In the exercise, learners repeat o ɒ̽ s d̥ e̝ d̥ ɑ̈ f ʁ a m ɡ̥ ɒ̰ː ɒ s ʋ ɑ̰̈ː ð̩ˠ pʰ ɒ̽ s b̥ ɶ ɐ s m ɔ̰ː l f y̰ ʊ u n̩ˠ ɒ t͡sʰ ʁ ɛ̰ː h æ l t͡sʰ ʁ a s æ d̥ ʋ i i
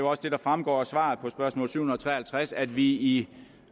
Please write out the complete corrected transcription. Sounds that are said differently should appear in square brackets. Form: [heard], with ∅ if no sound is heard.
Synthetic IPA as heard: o ɒ̽ s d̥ e̝ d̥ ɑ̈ f ʁ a m ɡ̥ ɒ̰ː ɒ s ʋ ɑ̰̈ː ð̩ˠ pʰ ɒ̽ s b̥ ɶ ɐ s m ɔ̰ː l [s] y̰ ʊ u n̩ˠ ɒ t͡sʰ ʁ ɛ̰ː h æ l t͡sʰ ʁ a s æ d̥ ʋ i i